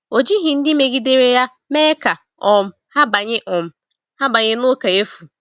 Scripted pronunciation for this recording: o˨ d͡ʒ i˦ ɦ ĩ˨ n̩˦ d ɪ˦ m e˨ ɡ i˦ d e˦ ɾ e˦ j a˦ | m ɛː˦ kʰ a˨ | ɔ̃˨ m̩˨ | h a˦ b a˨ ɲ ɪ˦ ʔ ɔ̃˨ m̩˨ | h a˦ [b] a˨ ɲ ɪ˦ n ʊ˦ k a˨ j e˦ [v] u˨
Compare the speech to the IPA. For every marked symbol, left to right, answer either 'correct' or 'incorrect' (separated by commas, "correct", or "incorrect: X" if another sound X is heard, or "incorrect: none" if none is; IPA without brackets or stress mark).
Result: correct, incorrect: f